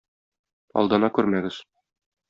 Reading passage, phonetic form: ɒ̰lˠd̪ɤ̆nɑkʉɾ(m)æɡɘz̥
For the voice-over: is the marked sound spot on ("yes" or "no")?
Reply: yes